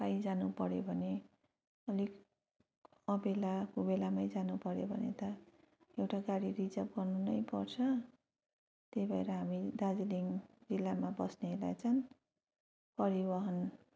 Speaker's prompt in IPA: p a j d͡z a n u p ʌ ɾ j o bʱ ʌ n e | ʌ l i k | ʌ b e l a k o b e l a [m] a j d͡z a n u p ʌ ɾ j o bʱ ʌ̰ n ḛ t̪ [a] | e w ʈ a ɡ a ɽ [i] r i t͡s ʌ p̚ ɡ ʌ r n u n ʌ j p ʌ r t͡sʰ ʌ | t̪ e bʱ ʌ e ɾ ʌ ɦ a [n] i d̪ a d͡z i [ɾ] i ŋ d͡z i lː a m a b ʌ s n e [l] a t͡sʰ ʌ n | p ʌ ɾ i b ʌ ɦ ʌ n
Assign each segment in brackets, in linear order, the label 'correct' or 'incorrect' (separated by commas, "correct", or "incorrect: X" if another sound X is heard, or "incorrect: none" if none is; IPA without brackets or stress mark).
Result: correct, incorrect: ʌ, correct, incorrect: m, incorrect: l, correct